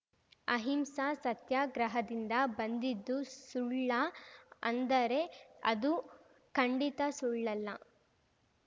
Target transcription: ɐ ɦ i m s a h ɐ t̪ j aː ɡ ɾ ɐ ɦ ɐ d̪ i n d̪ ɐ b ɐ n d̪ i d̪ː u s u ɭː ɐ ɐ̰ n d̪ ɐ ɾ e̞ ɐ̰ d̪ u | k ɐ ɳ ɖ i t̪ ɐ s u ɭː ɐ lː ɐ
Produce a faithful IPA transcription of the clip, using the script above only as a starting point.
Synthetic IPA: ɐ ɦ i m s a s ɐ t̪ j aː ɡ ɾ ɐ ɦ ɐ d̪ i n d̪ ɐ b ɐ n d̪ i d̪ː u s u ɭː ɐ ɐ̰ n d̪ ɐ ɾ e̞ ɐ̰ d̪ u | k ɐ ɳ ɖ i t̪ ɐ s u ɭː ɐ lː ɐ